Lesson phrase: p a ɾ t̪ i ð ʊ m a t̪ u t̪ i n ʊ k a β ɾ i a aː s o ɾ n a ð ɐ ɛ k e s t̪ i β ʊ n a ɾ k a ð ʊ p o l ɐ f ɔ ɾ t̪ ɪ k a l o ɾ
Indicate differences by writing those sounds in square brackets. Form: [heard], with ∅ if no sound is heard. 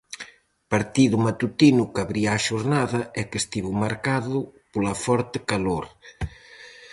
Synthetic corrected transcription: p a ɾ t̪ i ð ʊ m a t̪ u t̪ i n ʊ k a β ɾ i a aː [ʃ] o ɾ n a ð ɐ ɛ k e s t̪ i β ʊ [m] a ɾ k a ð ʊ p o l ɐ f ɔ ɾ t̪ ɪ k a l o ɾ